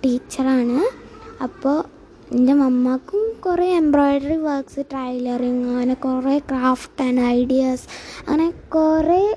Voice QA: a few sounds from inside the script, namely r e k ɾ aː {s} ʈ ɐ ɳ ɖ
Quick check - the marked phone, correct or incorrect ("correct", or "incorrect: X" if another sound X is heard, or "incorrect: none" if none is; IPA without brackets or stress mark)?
incorrect: f